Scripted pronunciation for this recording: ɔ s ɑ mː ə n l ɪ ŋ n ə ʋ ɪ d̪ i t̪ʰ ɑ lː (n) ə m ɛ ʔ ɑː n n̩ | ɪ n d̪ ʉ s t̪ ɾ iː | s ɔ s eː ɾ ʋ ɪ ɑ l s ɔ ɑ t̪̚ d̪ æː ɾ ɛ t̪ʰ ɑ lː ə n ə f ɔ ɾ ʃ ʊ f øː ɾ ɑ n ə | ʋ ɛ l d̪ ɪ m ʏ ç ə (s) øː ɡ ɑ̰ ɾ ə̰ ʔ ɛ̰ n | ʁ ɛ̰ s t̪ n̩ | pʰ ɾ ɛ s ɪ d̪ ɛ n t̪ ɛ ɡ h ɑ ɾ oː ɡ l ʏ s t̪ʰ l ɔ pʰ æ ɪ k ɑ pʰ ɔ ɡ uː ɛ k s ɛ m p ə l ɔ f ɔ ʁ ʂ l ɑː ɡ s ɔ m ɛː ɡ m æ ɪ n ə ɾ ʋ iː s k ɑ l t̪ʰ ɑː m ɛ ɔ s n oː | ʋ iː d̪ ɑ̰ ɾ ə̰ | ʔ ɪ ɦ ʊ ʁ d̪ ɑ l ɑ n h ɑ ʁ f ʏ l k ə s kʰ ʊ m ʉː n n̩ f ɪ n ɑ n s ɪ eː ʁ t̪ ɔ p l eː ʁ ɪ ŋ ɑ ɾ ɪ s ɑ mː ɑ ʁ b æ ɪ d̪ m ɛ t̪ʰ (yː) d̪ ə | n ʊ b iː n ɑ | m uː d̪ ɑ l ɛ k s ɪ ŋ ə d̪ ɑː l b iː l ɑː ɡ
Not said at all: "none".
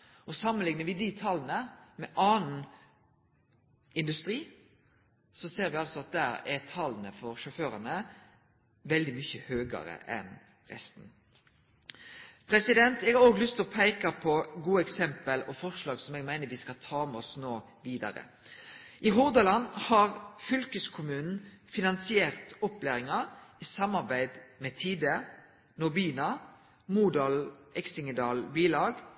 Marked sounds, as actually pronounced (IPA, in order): n, h, iː

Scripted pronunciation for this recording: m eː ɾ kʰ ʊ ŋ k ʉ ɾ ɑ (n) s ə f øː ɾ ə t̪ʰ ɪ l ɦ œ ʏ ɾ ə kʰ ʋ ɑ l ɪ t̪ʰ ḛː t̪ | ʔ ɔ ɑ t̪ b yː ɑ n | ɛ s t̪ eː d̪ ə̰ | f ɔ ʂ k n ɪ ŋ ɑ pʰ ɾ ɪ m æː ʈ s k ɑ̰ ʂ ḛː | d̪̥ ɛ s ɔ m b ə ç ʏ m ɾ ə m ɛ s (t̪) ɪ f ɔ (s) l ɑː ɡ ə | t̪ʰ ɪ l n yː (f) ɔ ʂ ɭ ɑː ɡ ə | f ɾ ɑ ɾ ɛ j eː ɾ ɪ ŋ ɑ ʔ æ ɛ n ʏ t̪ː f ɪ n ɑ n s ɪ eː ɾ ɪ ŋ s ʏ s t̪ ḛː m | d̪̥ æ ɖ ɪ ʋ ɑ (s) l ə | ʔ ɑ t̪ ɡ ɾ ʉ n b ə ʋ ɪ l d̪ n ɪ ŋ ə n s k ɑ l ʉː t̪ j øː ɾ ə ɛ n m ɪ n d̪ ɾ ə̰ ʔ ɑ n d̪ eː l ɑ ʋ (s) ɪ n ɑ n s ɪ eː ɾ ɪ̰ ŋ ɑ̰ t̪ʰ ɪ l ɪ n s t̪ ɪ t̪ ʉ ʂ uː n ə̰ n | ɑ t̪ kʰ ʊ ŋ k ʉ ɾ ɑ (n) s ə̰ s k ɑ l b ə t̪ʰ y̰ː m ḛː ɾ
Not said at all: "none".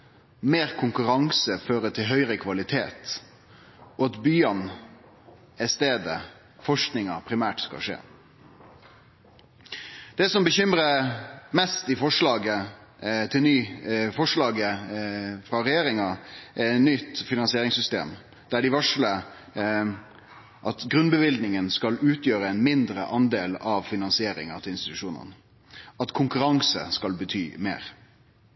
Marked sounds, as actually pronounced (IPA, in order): ŋ, t̪, ʂ, f, ʂ, f, ŋ

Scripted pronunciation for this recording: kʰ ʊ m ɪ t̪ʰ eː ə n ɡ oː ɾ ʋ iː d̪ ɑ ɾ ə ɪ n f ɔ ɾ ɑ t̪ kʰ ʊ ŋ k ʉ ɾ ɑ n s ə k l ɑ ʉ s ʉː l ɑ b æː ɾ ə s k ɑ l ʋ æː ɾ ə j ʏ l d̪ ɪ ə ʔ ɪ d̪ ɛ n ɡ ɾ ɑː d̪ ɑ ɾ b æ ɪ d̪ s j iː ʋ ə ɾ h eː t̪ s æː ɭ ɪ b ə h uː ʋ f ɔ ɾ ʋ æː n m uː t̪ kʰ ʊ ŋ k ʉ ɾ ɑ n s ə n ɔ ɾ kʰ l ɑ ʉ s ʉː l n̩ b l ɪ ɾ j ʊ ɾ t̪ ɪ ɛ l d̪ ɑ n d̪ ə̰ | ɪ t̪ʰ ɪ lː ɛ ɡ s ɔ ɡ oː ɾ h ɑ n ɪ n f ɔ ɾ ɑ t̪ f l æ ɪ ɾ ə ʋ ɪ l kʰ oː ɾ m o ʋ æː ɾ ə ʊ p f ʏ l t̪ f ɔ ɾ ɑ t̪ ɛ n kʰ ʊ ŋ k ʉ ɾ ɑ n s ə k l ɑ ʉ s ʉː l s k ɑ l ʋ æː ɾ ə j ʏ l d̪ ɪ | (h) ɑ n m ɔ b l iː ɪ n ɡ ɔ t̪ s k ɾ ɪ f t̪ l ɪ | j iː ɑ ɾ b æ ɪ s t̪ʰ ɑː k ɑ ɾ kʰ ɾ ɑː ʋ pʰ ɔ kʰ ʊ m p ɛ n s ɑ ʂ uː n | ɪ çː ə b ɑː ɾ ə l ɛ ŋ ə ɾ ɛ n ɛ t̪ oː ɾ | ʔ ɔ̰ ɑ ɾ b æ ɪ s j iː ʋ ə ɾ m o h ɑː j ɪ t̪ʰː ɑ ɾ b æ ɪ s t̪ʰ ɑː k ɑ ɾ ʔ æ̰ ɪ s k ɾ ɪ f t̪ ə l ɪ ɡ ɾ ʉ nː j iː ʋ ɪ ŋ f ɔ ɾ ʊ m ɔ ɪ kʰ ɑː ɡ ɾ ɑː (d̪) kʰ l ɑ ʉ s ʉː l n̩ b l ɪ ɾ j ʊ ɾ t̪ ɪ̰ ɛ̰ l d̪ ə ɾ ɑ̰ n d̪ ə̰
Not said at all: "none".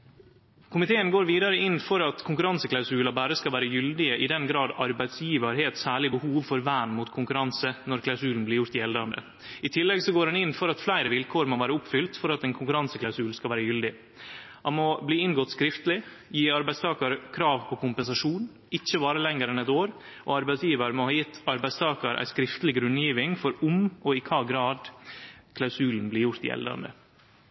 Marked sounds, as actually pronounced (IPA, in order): h, d̪

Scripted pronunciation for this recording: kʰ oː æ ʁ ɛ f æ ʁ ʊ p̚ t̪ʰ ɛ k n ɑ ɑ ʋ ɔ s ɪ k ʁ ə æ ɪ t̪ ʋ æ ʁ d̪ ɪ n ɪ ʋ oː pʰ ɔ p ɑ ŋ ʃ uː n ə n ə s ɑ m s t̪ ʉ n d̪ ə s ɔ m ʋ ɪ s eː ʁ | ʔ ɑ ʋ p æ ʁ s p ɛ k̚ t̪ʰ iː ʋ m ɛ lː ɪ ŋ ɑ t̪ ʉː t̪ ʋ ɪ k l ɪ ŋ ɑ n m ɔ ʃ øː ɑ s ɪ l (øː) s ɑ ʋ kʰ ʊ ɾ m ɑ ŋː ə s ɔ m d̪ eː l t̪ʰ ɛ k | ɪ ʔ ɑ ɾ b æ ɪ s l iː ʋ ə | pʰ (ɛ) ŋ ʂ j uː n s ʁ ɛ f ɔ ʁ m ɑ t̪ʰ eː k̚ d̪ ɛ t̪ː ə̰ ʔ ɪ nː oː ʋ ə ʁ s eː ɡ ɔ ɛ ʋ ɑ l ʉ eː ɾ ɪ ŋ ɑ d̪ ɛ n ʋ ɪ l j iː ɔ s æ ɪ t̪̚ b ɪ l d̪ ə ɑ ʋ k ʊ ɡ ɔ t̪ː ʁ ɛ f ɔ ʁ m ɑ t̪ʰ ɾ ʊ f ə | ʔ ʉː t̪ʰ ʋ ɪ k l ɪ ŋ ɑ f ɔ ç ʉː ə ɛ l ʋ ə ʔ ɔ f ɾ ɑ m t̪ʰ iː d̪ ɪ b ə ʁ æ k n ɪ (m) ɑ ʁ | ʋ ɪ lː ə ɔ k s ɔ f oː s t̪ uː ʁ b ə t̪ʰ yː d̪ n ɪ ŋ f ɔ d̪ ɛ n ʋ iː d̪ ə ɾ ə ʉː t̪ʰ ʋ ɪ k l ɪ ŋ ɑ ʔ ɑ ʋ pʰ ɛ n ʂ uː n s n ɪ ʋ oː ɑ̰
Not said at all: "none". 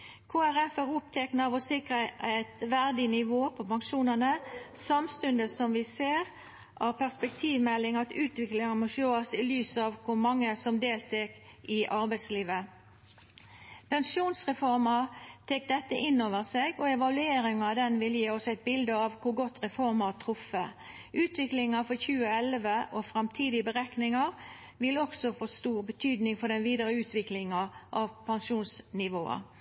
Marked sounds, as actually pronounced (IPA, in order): yː, ɛ, ŋ

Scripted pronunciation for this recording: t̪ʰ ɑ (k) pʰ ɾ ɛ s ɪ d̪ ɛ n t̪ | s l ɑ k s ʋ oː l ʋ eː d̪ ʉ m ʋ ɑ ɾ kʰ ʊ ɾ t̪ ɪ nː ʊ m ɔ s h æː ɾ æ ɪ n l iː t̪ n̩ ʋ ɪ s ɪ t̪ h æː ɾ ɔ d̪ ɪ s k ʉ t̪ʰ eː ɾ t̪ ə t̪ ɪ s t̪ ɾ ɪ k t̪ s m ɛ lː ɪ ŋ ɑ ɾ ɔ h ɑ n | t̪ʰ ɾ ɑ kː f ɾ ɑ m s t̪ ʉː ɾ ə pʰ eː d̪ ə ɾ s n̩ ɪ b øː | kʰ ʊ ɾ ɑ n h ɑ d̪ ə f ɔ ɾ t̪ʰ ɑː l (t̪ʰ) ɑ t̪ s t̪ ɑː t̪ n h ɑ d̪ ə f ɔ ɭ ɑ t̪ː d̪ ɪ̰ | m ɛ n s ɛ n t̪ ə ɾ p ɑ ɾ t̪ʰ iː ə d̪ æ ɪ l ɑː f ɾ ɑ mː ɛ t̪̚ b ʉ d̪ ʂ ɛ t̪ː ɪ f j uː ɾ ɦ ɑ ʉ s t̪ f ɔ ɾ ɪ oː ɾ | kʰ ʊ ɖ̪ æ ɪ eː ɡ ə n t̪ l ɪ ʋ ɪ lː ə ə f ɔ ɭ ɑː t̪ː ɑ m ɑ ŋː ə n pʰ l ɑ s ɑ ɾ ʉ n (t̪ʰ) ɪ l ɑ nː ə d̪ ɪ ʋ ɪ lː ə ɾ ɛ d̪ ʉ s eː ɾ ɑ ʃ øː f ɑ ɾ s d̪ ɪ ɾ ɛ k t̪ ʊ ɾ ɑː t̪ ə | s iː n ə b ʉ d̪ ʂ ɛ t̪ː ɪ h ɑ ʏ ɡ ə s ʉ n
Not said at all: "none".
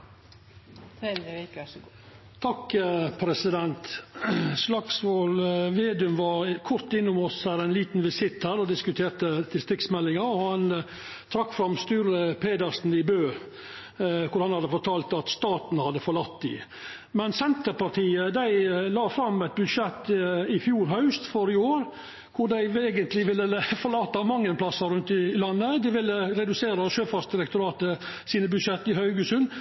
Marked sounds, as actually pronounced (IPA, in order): k, t̪, t̪

